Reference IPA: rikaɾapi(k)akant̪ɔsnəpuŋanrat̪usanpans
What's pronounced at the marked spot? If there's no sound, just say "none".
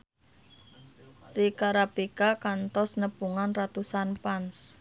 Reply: k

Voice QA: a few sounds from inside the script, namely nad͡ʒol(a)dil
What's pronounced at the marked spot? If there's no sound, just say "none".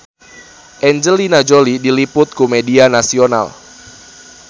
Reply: i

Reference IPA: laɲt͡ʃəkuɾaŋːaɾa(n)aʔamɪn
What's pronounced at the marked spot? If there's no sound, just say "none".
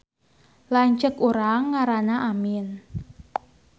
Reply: n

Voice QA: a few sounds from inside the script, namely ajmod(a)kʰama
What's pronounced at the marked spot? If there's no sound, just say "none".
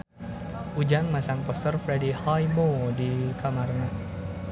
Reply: i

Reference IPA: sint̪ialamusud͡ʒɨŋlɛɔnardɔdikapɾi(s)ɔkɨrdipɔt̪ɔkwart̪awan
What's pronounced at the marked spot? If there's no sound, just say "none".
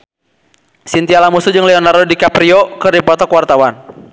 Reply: none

